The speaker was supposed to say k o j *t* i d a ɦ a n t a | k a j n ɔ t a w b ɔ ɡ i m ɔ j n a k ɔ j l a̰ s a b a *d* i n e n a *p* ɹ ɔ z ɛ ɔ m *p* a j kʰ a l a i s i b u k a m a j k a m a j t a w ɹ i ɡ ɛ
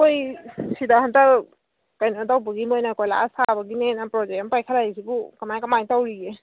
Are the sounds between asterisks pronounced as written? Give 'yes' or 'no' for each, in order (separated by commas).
no, no, yes, yes